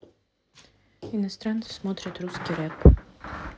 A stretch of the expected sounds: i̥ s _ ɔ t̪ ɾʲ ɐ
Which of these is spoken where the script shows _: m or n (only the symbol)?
m